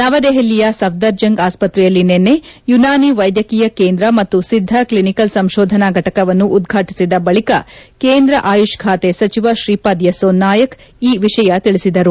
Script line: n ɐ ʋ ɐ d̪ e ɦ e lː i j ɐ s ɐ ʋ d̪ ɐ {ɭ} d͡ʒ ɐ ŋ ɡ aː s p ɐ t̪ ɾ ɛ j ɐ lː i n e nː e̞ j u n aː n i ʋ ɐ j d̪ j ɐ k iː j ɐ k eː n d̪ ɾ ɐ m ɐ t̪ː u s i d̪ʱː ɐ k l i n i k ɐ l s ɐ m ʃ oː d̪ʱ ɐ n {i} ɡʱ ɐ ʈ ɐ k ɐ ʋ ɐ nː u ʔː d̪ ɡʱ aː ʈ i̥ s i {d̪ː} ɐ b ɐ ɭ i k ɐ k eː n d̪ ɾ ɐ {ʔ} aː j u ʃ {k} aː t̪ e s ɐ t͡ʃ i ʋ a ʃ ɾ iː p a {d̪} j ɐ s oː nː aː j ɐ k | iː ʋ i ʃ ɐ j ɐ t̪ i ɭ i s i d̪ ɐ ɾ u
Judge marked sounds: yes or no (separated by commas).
no, no, no, yes, no, yes